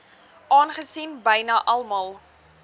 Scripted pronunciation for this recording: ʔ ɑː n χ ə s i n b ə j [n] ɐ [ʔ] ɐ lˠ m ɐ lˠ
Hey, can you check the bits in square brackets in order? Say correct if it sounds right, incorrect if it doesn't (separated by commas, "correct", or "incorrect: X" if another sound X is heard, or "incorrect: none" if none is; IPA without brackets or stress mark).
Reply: correct, correct